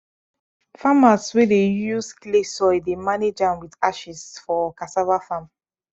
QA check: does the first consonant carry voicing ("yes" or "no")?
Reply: no